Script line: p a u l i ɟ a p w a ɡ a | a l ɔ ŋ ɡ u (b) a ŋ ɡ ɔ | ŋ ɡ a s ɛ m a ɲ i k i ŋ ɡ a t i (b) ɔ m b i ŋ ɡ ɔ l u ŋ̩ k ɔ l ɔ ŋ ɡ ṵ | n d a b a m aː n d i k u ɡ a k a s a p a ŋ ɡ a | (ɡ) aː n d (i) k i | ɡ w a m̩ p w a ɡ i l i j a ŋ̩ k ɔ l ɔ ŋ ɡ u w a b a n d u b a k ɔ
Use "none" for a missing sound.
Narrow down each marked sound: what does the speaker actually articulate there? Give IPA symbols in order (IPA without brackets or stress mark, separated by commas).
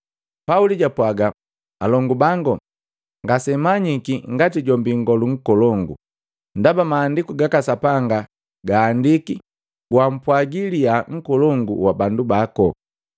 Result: b, ɟ, ɡ, i